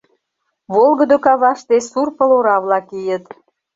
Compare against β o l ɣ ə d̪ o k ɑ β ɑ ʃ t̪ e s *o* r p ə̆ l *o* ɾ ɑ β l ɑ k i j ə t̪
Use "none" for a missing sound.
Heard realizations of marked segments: u, o

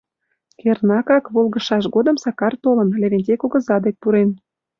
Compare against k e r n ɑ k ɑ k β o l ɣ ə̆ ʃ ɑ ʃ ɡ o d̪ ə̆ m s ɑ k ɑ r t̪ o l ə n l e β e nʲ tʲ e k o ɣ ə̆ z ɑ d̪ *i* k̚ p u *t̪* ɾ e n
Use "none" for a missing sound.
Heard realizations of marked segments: e, none

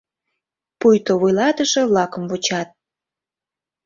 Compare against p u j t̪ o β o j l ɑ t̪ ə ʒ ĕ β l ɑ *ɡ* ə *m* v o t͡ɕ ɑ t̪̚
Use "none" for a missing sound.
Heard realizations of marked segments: k, m

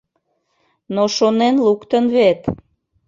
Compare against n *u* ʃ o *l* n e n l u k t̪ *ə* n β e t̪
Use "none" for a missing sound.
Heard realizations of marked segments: o, none, ə

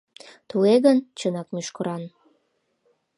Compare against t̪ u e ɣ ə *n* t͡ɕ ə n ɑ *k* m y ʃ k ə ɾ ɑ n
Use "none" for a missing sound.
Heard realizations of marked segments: n, k

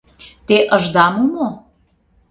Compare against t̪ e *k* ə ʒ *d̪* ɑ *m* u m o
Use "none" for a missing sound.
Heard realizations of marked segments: ʔ, d̪, m

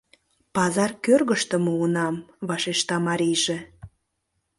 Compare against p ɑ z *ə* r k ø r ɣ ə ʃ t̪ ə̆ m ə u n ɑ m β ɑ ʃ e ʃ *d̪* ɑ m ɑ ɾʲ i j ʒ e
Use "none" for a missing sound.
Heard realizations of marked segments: ɑ, t̪

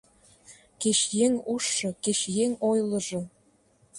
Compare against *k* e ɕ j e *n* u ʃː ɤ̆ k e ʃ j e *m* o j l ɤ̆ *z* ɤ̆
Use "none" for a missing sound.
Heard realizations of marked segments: k, ŋ, ŋ, ʒ

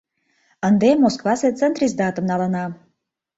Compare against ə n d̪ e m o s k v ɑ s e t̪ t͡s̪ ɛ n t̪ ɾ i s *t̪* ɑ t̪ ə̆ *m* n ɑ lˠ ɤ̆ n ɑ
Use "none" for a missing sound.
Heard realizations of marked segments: d̪, m

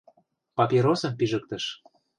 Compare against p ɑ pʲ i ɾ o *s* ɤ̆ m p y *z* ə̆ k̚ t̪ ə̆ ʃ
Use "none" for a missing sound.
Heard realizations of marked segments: s, ʒ

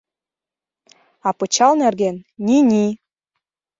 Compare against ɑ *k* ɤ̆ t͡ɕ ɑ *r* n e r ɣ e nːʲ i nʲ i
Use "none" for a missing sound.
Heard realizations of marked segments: p, l

